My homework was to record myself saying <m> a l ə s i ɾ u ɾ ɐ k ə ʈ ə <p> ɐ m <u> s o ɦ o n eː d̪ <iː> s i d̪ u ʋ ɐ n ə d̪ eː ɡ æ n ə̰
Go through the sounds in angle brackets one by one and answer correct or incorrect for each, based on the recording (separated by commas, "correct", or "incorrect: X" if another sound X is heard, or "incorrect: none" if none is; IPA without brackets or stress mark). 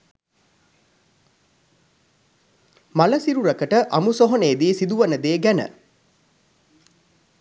correct, incorrect: ʔ, correct, correct